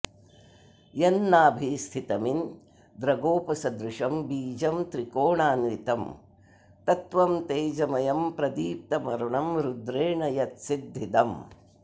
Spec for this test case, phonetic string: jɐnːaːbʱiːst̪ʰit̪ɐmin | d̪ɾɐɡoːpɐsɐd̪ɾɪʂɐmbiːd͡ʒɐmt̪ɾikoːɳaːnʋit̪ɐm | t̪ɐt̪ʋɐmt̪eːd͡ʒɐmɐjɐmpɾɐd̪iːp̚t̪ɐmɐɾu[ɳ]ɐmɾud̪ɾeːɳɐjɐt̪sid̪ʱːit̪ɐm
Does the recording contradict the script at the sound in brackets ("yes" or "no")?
no